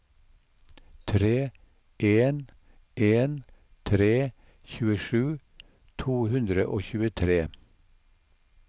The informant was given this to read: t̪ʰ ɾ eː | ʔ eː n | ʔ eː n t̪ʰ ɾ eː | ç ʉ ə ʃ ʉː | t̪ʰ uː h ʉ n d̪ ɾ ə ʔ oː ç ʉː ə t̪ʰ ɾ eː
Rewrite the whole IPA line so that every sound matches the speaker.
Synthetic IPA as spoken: t̪ʰ ɾ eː | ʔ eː n | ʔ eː n t̪ʰ ɾ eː | ç ʉː ə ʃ ʉː | t̪ʰ uː h ʉ n d̪ ɾ ə ʔ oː ç ʉː ə t̪ʰ ɾ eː